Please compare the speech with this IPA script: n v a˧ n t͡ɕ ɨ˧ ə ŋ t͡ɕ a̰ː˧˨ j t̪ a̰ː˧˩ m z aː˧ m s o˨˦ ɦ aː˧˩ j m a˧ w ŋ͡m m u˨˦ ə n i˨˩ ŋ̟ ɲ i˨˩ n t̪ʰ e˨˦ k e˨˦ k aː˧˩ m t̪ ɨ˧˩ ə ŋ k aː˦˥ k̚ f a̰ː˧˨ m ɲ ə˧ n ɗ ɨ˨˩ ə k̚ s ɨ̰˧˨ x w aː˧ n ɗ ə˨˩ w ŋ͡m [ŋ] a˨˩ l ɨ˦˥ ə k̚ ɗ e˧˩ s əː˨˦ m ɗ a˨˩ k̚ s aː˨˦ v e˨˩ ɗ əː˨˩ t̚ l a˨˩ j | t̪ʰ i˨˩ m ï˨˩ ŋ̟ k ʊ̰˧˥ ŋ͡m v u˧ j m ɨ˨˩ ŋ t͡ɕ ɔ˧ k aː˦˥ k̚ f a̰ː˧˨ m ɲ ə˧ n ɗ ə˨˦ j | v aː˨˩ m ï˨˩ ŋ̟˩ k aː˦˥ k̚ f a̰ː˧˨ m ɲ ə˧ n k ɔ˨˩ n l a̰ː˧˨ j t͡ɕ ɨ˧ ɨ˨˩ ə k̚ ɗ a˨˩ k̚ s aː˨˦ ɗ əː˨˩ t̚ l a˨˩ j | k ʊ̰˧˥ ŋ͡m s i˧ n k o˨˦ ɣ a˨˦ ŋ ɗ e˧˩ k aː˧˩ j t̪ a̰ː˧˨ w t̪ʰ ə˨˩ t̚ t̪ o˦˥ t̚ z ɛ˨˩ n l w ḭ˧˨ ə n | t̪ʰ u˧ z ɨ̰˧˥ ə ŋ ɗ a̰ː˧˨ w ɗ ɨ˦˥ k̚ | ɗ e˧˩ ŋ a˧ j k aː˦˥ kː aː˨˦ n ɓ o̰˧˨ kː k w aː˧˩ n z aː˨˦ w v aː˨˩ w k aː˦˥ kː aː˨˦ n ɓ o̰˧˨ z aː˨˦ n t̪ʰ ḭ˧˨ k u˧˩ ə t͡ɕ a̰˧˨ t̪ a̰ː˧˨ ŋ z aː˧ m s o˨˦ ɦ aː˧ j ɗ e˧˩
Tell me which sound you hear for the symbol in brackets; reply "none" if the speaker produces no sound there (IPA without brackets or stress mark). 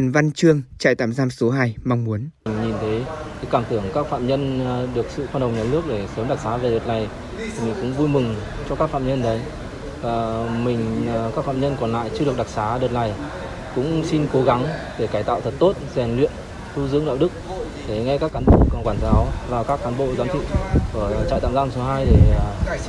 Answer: ɲ